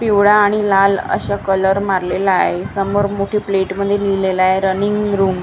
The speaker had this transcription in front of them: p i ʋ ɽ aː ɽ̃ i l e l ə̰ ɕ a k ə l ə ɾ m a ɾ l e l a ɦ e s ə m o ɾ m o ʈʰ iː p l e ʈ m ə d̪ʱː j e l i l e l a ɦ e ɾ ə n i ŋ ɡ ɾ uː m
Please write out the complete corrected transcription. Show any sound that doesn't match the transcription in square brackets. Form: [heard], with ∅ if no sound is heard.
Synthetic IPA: p i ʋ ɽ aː ɽ̃ i l [a] l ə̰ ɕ a k ə l ə ɾ m a ɾ l e l a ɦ e s ə m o ɾ m o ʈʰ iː p l e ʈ m ə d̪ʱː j e l i l e l a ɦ e ɾ ə n i ŋ ɡ ɾ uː m